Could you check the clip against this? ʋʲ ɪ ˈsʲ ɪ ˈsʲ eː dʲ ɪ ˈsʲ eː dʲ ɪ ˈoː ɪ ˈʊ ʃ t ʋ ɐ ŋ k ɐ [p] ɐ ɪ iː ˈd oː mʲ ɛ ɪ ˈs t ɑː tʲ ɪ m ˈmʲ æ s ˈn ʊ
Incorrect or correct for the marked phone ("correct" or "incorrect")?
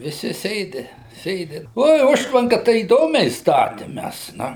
incorrect